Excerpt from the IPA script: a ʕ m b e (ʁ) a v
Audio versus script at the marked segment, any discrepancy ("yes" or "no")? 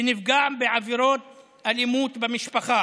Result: yes